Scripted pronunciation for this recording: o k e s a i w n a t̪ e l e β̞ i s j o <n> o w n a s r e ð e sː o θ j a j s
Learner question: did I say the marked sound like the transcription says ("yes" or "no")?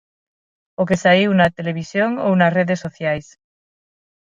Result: no